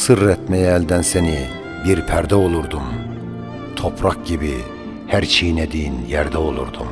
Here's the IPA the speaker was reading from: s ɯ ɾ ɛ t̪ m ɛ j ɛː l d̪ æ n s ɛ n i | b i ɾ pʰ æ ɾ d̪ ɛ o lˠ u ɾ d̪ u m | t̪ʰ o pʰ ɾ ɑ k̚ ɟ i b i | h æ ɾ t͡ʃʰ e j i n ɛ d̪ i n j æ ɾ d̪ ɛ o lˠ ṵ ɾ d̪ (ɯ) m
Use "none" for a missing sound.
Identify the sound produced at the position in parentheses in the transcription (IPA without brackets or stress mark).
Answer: u